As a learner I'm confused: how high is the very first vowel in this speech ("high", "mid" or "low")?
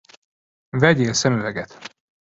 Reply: mid